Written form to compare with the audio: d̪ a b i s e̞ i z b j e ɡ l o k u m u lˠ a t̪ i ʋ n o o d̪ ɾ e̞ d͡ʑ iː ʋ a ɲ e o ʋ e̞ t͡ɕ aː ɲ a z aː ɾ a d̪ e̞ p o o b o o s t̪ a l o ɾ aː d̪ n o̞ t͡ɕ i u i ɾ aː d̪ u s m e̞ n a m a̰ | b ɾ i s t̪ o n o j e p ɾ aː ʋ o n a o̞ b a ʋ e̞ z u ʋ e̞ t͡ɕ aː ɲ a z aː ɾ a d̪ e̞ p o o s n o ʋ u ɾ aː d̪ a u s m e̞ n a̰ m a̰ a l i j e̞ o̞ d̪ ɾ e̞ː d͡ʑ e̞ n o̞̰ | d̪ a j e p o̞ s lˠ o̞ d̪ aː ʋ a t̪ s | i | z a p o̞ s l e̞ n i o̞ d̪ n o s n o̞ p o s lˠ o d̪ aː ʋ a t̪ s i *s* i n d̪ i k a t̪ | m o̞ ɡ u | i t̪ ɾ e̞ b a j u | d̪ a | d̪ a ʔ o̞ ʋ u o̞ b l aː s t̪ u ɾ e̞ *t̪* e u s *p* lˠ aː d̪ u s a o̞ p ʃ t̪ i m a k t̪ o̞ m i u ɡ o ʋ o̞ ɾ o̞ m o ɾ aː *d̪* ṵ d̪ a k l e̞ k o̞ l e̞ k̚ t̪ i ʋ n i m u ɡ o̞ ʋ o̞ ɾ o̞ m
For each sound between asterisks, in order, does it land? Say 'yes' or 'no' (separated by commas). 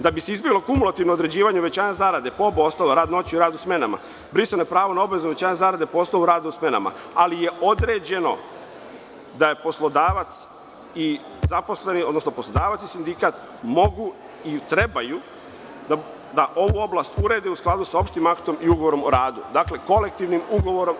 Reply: yes, no, no, yes